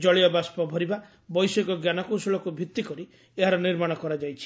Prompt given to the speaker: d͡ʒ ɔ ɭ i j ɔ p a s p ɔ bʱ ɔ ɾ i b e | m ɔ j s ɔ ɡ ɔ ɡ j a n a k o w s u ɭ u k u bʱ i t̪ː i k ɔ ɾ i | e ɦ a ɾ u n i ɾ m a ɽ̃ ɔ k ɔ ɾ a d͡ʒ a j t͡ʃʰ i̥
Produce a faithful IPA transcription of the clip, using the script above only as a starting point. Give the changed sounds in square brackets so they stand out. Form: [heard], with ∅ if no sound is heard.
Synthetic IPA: d͡ʒ ɔ ɭ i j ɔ [b] a s p ɔ bʱ ɔ ɾ i b [a] | [b] ɔ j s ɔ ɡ ɔ ɡ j a n a k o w s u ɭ [ɔ] k u bʱ i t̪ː i k ɔ ɾ i | e ɦ a ɾ [ɔ] n i ɾ m a ɽ̃ ɔ k ɔ ɾ a d͡ʒ a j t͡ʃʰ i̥